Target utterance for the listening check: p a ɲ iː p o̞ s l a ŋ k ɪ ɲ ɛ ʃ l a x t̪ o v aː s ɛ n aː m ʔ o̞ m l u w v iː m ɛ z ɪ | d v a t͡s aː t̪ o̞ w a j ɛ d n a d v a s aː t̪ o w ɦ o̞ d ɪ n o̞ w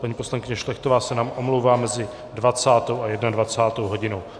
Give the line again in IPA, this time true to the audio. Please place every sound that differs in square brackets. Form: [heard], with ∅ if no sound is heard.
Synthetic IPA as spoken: p a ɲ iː p o̞ s l a ŋ k ɪ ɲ ɛ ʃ l [ɛ] x t̪ o v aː s ɛ n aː m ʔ o̞ m l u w v [aː] m ɛ z ɪ | d v a t͡s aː t̪ o̞ w a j ɛ d n a d v a [t͡s] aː t̪ o w ɦ o̞ [ɟ] ɪ n o̞ w